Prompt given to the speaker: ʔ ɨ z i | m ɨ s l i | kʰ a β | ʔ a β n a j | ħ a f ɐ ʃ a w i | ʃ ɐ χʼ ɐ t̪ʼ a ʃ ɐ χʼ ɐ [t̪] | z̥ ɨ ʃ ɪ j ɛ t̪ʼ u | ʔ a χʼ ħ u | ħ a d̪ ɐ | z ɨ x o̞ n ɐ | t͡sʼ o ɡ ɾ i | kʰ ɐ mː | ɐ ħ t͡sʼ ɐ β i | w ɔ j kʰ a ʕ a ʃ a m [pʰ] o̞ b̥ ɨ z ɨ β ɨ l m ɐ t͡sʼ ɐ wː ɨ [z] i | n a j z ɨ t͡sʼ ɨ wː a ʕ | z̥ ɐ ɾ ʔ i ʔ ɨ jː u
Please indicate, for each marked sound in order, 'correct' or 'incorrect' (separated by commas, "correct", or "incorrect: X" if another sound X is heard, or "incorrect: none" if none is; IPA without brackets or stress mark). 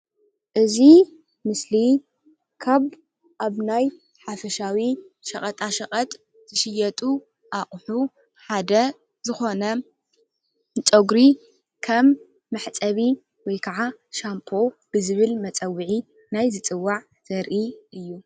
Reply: incorrect: t̪ʼ, correct, incorrect: ʕ